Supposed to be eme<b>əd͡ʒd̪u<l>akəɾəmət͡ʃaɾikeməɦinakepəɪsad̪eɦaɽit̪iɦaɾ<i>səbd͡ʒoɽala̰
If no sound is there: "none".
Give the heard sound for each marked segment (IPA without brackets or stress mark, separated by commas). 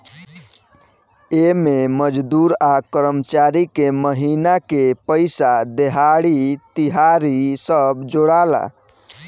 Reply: m, ɾ, i